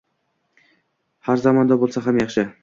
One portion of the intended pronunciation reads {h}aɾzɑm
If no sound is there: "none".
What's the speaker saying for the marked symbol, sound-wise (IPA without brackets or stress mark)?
h